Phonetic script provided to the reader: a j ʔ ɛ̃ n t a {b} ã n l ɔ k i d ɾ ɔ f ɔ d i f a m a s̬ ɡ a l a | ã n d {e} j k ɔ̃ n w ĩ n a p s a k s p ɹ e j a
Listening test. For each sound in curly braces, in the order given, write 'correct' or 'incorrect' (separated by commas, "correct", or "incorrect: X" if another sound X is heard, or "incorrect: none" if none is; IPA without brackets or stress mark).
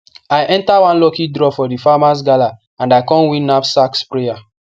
incorrect: w, incorrect: a